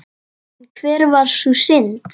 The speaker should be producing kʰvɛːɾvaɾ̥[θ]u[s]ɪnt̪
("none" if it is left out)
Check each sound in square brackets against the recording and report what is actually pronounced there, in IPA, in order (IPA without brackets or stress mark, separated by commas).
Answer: s, s